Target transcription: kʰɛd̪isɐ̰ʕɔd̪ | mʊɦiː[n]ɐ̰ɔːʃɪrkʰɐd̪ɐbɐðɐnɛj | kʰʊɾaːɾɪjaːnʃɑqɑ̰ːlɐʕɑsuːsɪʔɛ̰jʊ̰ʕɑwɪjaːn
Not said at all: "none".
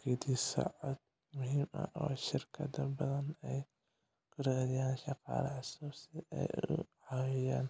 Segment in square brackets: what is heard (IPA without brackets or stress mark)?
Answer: m